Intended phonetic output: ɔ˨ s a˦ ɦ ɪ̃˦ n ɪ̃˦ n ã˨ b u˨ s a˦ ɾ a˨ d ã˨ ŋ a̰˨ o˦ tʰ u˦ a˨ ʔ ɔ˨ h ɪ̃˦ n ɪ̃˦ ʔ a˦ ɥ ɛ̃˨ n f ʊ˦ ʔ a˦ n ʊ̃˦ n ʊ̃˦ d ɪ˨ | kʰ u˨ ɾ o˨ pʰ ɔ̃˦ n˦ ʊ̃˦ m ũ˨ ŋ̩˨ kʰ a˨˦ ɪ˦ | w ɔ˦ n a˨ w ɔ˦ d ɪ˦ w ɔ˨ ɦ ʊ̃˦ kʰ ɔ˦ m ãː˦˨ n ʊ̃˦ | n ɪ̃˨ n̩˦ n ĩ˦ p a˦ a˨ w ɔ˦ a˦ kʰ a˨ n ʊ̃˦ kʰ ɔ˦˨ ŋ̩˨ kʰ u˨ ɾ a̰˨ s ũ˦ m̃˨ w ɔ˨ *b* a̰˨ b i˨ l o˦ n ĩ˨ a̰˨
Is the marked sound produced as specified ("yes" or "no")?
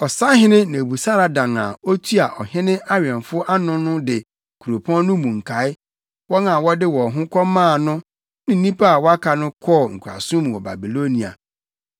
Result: yes